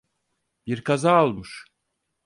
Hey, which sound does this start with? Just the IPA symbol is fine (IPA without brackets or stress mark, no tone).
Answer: b